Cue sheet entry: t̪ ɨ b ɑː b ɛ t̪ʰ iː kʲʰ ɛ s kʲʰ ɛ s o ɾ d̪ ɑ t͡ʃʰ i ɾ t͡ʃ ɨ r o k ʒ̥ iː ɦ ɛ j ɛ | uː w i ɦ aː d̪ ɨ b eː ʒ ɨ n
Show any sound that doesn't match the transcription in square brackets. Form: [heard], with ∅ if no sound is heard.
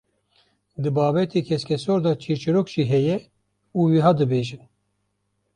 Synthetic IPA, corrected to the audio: [d̪] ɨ b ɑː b ɛ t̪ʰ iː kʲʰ ɛ s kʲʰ ɛ s o ɾ d̪ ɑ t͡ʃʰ i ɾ t͡ʃ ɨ [ɾ] o k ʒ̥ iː ɦ ɛ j ɛ | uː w i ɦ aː d̪ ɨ b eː ʒ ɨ n